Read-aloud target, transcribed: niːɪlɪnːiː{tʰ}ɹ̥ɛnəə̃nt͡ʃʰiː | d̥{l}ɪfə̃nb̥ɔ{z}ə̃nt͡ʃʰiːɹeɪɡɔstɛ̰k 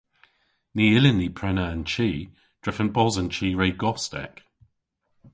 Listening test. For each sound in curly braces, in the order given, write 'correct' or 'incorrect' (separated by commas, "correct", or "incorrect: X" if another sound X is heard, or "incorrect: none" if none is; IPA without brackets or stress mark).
incorrect: pʰ, incorrect: ɹ, correct